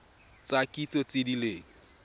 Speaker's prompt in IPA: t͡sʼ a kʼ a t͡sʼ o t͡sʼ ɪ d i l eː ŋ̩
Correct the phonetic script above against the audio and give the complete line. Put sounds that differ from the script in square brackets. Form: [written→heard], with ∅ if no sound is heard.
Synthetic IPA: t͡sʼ a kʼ [a→i] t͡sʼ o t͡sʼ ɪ d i l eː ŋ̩